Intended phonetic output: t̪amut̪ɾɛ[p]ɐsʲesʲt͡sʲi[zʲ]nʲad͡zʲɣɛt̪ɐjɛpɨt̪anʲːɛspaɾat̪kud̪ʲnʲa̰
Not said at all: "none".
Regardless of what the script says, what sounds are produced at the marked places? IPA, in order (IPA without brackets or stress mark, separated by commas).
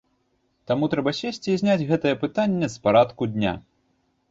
b, zʲ